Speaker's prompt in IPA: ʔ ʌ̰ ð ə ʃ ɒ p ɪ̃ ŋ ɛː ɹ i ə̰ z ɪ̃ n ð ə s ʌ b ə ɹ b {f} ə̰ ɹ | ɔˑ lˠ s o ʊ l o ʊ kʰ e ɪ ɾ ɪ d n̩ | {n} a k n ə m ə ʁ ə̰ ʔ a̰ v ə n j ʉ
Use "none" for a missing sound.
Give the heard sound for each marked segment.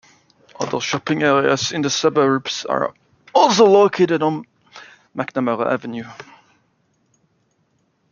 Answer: s, m

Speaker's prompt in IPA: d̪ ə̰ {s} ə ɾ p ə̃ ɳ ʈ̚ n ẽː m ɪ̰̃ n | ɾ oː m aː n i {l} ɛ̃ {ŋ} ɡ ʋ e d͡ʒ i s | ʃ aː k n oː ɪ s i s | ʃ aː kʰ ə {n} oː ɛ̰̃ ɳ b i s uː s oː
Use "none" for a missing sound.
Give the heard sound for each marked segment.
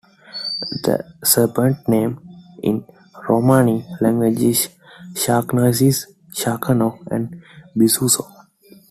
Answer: s, l, ŋ, n

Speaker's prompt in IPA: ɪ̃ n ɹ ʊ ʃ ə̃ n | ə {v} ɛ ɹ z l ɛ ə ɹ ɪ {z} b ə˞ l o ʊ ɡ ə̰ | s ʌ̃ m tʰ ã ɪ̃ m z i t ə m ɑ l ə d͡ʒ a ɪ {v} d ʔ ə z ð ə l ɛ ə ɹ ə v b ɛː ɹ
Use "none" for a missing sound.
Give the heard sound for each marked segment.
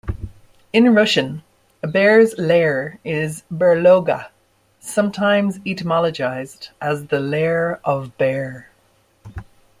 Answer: b, z, z

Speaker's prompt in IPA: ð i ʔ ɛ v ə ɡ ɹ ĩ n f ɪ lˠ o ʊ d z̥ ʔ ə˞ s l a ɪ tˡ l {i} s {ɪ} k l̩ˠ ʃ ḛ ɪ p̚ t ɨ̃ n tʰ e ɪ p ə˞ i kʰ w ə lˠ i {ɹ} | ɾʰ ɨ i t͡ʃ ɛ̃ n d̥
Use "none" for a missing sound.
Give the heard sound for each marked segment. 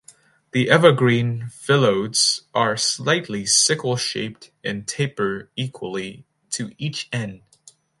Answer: i, ɪ, none

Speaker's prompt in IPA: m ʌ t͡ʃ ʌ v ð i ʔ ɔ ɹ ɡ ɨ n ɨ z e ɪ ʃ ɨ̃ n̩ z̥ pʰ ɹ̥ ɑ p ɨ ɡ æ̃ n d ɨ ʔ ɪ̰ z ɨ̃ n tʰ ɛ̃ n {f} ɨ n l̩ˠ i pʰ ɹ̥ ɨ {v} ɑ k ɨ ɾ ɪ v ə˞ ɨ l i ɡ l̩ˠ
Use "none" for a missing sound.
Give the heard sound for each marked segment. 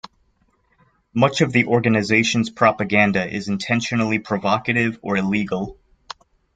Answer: ʃ, v

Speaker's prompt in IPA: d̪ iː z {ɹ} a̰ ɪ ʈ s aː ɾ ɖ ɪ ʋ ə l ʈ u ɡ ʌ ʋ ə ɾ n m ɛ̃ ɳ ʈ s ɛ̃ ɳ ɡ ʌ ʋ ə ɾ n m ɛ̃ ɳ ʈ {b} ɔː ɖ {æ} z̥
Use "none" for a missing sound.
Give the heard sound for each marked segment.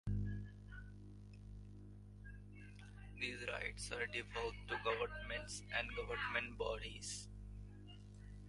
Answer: ɾ, b, i

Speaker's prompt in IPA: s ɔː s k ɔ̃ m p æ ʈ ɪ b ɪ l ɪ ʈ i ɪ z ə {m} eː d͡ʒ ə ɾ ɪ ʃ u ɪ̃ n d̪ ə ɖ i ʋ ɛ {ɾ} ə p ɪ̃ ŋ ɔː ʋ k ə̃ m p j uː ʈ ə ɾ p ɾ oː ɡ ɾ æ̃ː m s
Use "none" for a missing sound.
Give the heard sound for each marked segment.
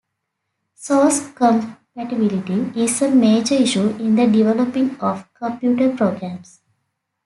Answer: m, l

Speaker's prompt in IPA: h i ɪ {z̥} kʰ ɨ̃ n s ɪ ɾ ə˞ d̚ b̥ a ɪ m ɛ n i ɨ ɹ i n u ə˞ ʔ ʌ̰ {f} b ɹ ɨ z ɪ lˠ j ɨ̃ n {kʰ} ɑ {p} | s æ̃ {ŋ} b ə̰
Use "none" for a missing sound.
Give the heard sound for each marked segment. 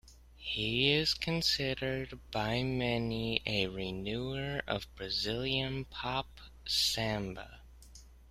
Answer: z̥, v, pʰ, p, m

